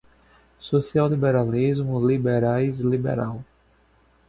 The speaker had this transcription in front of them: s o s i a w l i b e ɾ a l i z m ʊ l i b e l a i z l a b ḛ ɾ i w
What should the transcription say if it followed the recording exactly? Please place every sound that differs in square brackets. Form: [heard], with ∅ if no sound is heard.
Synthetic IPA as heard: s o s i a w l i b e ɾ a l i z m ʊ l i b e [ɾ] a [j] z l [i] b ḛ ɾ [a] w